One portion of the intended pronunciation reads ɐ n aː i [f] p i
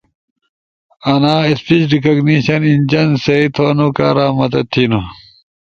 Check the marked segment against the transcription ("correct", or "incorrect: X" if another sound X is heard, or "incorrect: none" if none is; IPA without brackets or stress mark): incorrect: s